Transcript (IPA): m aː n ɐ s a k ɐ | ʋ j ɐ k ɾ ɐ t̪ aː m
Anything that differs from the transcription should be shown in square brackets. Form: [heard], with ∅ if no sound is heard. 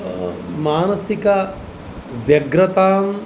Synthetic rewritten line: m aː n ɐ s [i] k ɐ | ʋ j ɐ [ɡ] ɾ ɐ t̪ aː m